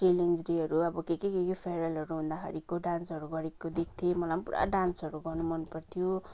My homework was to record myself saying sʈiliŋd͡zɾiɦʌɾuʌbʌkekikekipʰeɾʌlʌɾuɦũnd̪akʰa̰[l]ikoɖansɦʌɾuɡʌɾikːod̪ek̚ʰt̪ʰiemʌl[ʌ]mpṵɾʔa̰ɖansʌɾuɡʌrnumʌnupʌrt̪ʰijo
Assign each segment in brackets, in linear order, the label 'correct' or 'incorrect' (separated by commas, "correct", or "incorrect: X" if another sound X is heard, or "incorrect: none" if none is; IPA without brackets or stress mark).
incorrect: ɾ, incorrect: a